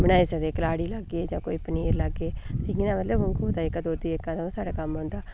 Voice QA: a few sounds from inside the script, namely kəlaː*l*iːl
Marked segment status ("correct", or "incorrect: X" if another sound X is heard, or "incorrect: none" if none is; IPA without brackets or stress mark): incorrect: ɽ